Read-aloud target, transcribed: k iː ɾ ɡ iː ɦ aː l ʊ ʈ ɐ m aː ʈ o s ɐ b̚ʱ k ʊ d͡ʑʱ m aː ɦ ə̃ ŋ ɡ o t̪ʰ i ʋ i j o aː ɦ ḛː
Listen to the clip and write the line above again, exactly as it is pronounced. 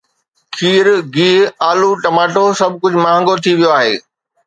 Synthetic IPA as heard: kʰ iː ɾ ɡ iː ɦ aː l u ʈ ɐ m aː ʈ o s ɐ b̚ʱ k ʊ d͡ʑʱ m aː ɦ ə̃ ŋ ɡ o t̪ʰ i ʋ i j o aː ɦ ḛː

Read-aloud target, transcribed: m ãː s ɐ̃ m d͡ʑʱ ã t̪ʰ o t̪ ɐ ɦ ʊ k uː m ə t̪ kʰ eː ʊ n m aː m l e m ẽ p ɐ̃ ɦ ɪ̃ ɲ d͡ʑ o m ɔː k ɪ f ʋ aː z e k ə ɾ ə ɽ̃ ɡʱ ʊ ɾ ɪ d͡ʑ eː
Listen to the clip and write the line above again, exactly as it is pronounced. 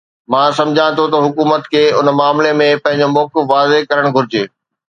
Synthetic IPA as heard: m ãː s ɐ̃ m d͡ʑʱ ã t̪ʰ o t̪ ɐ ɦ ʊ k uː m ə t̪ kʰ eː ʊ n m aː m l e m ẽ p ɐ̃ ɦ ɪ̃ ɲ d͡ʑ o m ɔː k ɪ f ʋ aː z e k ɐ ɾ ə ɽ̃ ɡʱ ʊ ɾ ɪ d͡ʑ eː

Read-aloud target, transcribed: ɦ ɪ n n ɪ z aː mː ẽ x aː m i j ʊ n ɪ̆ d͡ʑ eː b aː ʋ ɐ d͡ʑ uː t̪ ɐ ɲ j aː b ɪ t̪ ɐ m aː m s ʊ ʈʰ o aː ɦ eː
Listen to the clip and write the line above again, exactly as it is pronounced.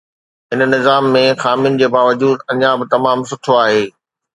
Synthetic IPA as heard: ɦ ɪ n n ɪ z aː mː ẽ x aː m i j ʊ n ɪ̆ d͡ʑ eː b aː ʋ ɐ d͡ʑ uː d̪ ɐ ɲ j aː b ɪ t̪ ɐ m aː m s ʊ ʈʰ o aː ɦ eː

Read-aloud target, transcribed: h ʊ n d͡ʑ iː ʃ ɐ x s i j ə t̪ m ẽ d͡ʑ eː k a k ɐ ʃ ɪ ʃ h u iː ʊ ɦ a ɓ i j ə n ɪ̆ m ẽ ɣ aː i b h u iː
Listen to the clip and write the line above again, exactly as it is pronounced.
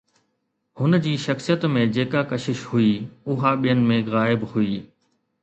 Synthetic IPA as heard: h ʊ n d͡ʑ iː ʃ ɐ x s i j ə t̪ m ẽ d͡ʑ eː k a k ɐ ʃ ɪ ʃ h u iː ʊ ɦ a ɓ i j ə n ɪ̆ m ẽ ɣ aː ɪ b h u iː

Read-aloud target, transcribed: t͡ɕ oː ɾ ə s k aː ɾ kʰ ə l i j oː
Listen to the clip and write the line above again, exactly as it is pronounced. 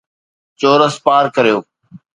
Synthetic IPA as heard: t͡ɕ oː ɾ ə s p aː ɾ k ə ɾ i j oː

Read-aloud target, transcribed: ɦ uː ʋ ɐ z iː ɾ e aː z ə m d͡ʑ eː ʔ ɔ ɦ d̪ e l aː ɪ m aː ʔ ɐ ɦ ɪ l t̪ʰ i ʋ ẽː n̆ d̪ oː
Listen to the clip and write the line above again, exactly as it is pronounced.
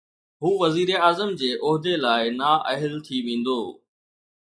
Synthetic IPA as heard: ɦ uː ʋ ɐ z iː ɾ e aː z ə m d͡ʑ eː ʔ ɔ ɦ d̪ e l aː ɪ n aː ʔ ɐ ɦ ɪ l t̪ʰ i ʋ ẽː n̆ d̪ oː

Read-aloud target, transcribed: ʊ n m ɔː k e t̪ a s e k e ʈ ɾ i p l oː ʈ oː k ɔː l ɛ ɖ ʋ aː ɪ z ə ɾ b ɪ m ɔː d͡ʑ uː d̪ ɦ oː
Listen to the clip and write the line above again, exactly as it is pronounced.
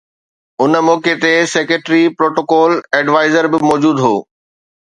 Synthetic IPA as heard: ʊ n m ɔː k e t̪ e s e k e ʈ ɾ i p ɾ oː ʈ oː k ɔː l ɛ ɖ ʋ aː ɪ z ə ɾ b ɪ m ɔː d͡ʑ uː d̪ ɦ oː

